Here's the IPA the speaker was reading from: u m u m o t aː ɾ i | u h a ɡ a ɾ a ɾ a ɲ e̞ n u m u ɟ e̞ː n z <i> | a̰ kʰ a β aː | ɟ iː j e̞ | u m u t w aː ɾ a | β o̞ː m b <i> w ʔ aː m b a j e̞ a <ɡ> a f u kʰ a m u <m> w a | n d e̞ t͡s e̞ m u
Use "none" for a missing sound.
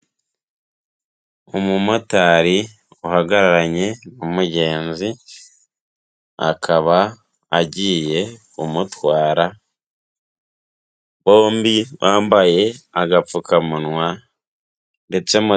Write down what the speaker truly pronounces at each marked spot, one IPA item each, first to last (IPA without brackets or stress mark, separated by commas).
i, i, ɡ, n